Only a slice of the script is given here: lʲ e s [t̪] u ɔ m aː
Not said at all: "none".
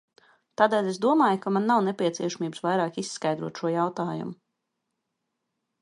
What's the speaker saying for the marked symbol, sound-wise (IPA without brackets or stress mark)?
d̪